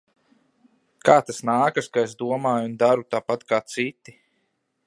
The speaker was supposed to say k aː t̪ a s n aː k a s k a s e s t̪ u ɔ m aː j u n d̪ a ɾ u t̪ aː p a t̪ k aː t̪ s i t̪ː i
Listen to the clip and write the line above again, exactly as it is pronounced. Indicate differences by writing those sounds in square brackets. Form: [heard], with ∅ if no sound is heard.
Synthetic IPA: k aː t̪ a s n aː k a s k a [∅] e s [d̪] u ɔ m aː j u n d̪ a ɾ u t̪ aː p a t̪ k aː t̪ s i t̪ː i